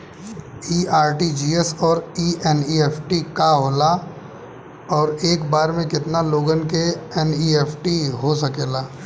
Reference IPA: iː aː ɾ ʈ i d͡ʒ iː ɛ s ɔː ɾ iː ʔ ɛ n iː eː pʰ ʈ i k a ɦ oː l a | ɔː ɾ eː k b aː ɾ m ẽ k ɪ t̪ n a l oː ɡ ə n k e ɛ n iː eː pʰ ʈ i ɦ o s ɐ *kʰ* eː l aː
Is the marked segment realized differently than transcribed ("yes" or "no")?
yes